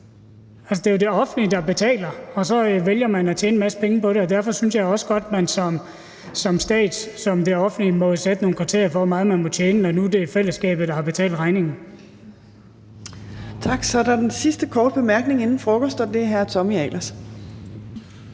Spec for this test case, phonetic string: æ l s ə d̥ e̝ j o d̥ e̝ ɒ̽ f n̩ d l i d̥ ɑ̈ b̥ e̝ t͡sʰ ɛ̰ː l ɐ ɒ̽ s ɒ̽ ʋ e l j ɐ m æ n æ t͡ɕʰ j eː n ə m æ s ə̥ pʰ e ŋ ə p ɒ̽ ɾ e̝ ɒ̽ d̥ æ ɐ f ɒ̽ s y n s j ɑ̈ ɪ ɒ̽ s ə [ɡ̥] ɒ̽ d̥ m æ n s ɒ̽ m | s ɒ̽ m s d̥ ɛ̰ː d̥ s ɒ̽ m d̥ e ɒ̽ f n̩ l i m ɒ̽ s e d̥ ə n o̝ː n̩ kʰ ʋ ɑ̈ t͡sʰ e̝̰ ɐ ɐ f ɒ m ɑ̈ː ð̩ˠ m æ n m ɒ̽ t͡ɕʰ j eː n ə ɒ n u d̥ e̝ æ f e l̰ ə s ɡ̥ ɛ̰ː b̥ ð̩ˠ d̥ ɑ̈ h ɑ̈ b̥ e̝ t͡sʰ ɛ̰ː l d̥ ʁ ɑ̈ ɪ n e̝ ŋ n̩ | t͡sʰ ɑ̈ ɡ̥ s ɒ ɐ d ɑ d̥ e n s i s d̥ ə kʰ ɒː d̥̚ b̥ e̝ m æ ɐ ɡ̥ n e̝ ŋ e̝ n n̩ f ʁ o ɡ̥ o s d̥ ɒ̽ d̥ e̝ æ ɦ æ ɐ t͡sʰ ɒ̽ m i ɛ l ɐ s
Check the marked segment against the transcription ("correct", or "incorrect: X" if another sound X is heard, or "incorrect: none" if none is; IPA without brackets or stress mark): correct